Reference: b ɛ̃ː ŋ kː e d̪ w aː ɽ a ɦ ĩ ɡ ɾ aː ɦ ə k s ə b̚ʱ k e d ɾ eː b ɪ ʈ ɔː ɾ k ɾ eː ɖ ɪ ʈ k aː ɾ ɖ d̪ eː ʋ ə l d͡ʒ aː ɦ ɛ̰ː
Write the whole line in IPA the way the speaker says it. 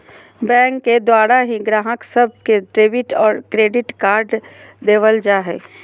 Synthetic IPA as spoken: b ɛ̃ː ŋ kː e d̪ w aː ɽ a ɦ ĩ ɡ ɾ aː ɦ ə k s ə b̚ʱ k e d ɾ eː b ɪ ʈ ɔː ɾ k ɾ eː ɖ ɪ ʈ k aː ɾ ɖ d̪ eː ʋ ə l d͡ʒ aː ɦ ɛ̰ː